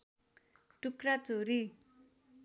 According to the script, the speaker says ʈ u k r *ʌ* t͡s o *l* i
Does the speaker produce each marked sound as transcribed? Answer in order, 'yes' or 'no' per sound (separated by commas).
no, no